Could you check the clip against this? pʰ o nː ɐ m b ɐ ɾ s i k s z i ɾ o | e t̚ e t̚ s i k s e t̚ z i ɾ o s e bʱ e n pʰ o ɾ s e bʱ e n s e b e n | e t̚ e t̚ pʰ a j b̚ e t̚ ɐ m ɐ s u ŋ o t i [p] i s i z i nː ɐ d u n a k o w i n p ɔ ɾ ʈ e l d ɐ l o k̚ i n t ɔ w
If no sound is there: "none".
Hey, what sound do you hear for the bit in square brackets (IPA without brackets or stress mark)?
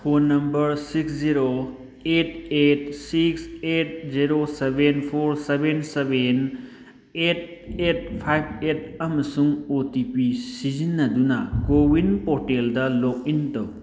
p